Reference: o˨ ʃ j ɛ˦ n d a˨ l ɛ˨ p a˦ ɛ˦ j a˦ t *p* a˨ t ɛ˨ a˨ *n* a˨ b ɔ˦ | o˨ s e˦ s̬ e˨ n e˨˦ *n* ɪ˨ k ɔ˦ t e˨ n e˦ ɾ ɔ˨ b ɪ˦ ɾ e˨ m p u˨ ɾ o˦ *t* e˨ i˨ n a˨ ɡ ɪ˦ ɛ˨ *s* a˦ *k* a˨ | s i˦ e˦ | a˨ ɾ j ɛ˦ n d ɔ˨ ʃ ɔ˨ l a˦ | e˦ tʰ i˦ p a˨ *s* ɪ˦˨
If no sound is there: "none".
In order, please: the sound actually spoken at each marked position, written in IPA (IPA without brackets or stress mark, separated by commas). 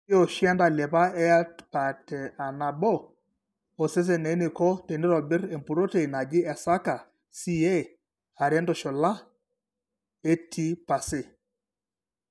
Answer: p, n, n, t, s, k, s